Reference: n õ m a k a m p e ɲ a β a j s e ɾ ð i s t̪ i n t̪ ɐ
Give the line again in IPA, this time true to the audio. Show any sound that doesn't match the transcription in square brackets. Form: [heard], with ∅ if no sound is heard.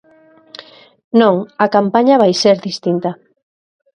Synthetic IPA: n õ [ŋ] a k a m p [a] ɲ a β a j s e ɾ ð i s t̪ i n t̪ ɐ